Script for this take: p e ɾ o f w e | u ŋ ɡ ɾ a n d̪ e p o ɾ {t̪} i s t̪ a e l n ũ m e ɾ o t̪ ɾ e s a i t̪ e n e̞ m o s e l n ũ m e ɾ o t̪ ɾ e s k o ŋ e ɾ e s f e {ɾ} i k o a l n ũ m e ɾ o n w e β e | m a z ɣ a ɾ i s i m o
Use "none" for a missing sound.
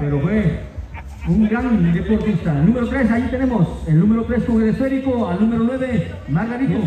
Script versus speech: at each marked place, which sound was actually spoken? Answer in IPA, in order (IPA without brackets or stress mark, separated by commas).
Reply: t̪, ɾ